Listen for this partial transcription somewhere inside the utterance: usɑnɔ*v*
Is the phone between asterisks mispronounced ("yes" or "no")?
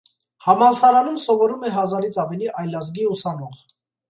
yes